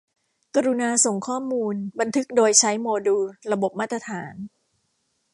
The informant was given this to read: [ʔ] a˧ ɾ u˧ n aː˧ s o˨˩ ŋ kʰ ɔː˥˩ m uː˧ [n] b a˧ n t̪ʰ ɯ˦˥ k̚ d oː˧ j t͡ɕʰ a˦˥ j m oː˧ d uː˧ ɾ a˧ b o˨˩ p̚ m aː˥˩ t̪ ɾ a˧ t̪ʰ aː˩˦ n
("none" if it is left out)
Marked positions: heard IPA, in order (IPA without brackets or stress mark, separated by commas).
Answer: k, n